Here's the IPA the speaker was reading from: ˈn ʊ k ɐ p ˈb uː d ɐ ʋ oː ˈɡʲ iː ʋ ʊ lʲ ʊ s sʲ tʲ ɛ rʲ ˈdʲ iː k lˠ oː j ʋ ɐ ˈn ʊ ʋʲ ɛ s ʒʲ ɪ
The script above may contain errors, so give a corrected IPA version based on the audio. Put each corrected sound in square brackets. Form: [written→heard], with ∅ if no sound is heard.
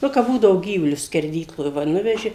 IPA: ˈn ʊ k ɐ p ˈb uː d ɐ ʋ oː ˈɡʲ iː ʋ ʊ lʲ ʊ s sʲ [tʲ→kʲ] ɛ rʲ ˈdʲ iː k lˠ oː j ʋ ɐ ˈn ʊ ʋʲ ɛ [s→∅] ʒʲ ɪ